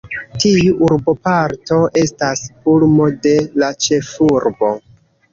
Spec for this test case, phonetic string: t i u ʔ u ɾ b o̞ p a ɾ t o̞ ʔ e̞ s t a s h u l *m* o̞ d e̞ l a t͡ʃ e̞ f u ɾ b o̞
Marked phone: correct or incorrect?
correct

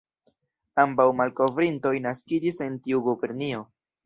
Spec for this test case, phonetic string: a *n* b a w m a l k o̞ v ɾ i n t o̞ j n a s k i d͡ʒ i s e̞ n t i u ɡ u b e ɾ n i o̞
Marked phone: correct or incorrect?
incorrect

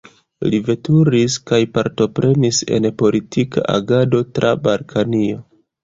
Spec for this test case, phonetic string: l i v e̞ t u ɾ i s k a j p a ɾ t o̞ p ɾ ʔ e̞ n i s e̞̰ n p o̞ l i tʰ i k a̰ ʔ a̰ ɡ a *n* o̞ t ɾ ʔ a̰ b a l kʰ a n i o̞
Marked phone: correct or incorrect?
incorrect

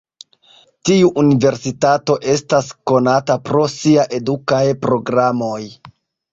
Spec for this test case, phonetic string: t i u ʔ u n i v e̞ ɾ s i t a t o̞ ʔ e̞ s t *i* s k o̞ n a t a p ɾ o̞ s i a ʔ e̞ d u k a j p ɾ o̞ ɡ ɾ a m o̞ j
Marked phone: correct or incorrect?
incorrect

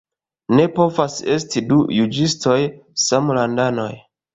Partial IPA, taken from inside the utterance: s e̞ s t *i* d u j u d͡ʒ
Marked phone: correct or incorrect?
correct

